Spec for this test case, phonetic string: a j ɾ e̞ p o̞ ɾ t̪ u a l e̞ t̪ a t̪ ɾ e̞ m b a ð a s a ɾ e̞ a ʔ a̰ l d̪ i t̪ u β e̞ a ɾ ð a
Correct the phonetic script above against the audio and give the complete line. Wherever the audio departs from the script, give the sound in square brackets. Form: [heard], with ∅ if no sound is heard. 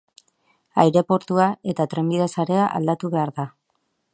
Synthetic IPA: a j ɾ e̞ p o̞ ɾ t̪ u a [∅] e̞ t̪ a t̪ ɾ e̞ m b [i] ð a s a ɾ e̞ a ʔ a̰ l d̪ [a] t̪ u β e̞ a ɾ ð a

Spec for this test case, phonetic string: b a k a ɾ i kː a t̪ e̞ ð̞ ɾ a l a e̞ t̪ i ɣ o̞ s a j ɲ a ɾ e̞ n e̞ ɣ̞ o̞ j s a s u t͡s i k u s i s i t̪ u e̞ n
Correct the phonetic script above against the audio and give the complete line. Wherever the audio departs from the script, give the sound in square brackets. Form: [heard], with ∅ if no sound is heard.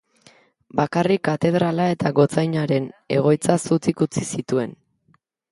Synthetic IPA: b a k a [r] i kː a t̪ e̞ ð̞ ɾ a l a e̞ t̪ [a] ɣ o̞ [t͡s] a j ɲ a ɾ e̞ n e̞ ɣ̞ o̞ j [t͡s] a s u t͡s i k u [t͡s] i s i t̪ u e̞ n

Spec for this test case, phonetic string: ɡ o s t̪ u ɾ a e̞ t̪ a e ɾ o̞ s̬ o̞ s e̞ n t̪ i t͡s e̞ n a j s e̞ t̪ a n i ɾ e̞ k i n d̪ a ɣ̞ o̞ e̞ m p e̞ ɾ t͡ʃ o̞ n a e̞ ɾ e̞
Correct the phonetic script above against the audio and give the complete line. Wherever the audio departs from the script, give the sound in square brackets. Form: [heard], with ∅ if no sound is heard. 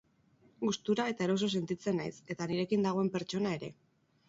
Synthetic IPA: ɡ [u] s t̪ u ɾ a e̞ t̪ a e ɾ o̞ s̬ o̞ s e̞ n t̪ i t͡s e̞ n a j s e̞ t̪ a n i ɾ e̞ k i n d̪ a ɣ̞ o̞ e̞ m p e̞ ɾ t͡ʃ o̞ n a e̞ ɾ e̞

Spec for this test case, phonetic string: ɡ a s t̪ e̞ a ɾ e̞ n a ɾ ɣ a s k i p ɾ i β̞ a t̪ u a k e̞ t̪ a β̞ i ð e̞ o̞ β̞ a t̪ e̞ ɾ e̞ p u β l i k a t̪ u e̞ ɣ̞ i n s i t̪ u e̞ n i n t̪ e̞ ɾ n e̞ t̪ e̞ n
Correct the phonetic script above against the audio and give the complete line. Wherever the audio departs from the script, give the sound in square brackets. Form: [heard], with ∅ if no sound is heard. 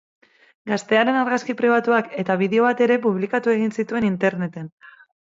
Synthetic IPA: ɡ a s t̪ e̞ a ɾ e̞ n a ɾ ɣ a s k i p ɾ i β̞ a t̪ u a k e̞ t̪ a β̞ i ð e̞ o̞ β̞ a t̪ e̞ ɾ e̞ p u β l i k a t̪ u e̞ ɣ̞ i n s i t̪ u e̞ n i n t̪ e̞ ɾ n e̞ t̪ e̞ n

